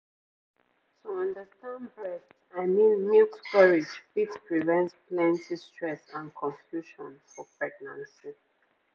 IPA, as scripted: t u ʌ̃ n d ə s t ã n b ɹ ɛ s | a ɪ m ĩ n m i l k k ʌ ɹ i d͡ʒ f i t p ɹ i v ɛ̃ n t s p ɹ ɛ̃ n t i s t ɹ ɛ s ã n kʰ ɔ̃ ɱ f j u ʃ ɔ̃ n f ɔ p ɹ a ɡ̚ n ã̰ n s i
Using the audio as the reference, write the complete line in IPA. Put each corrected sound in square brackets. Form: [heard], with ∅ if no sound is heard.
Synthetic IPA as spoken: t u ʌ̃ n d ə s t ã n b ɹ ɛ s | a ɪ m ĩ n m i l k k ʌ ɹ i d͡ʒ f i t p ɹ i v ɛ̃ n t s p [l] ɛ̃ n t i s t ɹ ɛ s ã n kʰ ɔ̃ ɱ f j u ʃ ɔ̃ n f ɔ p ɹ [ɛ] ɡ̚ n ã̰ n s i